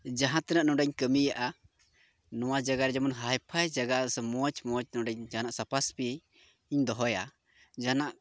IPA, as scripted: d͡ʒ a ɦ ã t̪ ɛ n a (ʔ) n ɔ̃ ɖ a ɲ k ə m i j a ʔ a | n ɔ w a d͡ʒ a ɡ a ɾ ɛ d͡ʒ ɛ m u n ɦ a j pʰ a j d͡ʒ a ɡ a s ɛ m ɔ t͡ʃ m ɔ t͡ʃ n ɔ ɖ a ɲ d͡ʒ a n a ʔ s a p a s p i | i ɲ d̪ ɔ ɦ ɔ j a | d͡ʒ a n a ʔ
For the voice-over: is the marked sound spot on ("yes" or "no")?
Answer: yes